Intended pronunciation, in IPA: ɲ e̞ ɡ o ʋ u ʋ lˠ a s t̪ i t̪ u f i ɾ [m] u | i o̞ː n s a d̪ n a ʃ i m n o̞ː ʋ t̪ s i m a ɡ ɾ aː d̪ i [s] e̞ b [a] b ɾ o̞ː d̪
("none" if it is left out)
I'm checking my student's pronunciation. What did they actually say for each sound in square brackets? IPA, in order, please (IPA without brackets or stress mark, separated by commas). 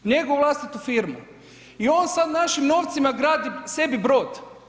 m, s, i